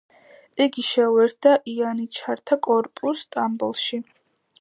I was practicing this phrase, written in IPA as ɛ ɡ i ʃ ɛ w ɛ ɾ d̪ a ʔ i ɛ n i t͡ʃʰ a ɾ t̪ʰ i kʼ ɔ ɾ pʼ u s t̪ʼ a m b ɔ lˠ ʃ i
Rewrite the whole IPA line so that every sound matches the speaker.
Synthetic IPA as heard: ɛ ɡ i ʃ ɛ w ɛ ɾ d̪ a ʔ i a n i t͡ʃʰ a ɾ t̪ʰ a kʼ ɔ ɾ pʼ u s t̪ʼ a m b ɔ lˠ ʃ i